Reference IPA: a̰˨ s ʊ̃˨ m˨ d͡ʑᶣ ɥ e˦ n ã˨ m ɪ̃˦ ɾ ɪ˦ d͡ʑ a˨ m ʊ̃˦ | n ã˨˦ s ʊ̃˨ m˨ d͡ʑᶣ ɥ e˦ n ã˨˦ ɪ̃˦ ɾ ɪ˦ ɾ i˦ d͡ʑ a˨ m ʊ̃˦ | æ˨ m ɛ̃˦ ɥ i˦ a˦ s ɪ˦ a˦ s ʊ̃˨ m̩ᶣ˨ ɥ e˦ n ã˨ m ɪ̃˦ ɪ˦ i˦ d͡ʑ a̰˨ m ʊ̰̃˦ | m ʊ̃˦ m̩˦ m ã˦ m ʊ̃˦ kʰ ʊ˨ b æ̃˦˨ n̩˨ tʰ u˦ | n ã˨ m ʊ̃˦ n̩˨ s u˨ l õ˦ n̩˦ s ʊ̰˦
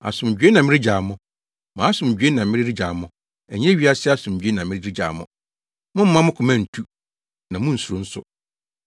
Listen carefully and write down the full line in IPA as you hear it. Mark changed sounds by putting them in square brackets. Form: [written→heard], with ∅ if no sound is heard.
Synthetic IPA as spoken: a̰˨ s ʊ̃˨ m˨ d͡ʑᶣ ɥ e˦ n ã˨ m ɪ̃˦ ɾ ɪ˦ d͡ʑ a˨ m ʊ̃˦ | [n→m] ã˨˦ s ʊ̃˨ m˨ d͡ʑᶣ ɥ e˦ n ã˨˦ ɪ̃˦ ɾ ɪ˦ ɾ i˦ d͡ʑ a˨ m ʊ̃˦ | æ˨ [m→ɲ] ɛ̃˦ ɥ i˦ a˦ s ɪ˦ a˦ s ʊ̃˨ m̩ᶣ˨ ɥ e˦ n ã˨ m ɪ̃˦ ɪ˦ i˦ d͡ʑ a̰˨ m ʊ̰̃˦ | m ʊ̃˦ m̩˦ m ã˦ m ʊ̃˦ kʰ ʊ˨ [b→m] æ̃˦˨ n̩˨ tʰ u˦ | n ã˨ m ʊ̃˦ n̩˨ s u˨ [l→ɾ] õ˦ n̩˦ s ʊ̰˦

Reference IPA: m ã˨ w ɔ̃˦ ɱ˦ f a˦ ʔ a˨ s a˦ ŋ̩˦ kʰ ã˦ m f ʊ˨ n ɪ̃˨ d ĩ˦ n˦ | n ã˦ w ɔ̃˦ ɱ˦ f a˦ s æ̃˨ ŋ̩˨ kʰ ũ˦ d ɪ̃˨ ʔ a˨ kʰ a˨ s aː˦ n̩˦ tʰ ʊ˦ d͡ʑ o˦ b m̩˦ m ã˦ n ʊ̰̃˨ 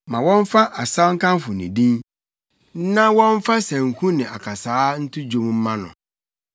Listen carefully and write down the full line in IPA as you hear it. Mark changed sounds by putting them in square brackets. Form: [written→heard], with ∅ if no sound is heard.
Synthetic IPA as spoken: m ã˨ w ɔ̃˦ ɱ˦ f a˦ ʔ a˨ s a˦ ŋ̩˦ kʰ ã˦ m f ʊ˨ n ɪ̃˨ d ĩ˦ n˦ | n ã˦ w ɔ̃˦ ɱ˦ f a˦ s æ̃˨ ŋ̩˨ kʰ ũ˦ [d→n] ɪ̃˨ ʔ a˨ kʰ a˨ s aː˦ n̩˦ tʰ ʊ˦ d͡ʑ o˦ [b→m] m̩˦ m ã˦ n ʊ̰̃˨

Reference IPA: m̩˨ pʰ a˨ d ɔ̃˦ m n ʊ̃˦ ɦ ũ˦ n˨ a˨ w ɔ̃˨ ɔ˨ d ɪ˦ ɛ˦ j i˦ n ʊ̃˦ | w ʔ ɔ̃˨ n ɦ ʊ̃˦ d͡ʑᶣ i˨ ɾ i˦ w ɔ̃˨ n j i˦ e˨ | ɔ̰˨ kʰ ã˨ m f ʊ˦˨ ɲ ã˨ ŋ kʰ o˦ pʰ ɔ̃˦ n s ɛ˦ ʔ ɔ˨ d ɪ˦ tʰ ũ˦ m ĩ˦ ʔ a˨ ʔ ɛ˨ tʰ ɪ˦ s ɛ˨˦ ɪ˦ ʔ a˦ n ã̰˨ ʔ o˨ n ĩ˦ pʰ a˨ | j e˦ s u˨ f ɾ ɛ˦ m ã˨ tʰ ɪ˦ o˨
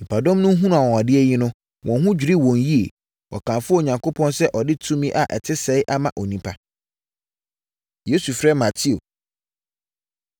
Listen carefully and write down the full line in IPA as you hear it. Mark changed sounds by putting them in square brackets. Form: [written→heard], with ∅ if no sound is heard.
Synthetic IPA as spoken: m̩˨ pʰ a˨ d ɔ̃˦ m n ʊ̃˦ ɦ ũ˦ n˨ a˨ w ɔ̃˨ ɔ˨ d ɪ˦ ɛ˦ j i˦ n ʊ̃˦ | w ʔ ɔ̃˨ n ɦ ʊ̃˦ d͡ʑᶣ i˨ ɾ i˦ w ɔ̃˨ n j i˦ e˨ | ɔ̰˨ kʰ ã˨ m f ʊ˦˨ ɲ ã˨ ŋ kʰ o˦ pʰ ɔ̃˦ n s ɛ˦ ʔ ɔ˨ d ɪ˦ tʰ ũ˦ m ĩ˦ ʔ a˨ ʔ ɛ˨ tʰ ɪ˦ s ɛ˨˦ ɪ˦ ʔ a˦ [n→m] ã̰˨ ʔ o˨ n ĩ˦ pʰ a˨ | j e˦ s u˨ f ɾ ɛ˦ m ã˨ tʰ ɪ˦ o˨

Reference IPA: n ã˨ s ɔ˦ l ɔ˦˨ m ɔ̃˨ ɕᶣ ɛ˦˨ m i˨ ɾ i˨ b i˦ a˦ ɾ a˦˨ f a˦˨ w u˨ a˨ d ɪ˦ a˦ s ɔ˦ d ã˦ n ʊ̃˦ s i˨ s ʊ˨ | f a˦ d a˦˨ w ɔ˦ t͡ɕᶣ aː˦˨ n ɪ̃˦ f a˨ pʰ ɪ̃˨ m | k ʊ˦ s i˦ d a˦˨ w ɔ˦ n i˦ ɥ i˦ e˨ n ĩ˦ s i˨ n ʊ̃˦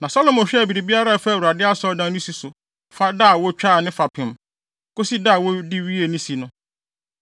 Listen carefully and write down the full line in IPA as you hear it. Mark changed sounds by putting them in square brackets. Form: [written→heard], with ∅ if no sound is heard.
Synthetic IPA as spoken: n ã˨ s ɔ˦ l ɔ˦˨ m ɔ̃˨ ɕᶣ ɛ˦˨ [m→b] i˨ ɾ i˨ b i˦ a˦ ɾ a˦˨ f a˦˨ w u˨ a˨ d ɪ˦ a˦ s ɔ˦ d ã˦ n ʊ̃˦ s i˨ s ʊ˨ | f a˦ d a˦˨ w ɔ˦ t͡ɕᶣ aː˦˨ n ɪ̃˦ f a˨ pʰ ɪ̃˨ m | k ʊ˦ s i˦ d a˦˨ w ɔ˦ [n→d] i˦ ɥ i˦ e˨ n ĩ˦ s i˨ n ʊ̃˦

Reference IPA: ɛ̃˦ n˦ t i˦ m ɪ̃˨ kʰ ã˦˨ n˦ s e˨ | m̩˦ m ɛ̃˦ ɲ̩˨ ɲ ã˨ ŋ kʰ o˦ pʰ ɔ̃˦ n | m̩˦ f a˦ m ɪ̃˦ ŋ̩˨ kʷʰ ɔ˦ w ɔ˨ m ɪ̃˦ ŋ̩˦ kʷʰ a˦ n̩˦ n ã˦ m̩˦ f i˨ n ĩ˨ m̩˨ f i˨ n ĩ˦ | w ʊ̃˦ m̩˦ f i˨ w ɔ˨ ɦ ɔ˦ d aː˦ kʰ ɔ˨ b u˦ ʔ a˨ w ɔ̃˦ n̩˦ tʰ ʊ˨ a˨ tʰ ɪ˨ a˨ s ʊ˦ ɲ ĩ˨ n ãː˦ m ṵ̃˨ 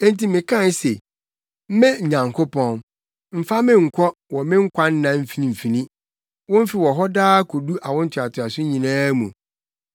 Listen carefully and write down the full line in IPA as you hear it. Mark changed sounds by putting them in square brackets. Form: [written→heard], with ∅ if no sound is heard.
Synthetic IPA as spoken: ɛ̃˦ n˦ t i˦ m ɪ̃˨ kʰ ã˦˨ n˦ s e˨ | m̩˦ m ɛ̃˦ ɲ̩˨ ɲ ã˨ ŋ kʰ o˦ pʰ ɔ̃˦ n | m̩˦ f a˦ m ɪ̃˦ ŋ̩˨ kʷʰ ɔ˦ w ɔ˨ m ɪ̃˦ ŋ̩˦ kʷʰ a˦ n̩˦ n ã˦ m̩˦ f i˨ n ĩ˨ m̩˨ f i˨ n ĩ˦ | w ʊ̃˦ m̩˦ f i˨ w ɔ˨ ɦ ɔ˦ d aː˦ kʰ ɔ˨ [b→d] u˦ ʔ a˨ w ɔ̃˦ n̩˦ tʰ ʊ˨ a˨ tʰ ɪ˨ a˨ s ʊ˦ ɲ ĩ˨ n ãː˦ m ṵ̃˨

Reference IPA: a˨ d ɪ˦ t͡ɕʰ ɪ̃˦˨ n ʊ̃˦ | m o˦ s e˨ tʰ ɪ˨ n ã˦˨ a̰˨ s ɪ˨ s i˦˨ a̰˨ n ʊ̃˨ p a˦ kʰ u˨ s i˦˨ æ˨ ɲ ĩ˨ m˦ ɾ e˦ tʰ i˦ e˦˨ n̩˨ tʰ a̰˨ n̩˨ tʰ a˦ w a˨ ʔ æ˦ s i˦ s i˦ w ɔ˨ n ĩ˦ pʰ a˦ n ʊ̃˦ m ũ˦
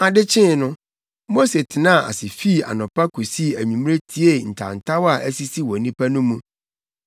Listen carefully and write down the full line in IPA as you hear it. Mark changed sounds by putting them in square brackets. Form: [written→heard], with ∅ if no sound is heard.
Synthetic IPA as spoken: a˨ d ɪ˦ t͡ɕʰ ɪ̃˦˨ n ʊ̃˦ | m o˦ s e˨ tʰ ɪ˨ n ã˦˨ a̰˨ s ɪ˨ [s→f] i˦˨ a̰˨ n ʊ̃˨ p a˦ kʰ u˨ s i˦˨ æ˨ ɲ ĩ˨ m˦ ɾ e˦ tʰ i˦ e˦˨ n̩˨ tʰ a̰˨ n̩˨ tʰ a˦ w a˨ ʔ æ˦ s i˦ s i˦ w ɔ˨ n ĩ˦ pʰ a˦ n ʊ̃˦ m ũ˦

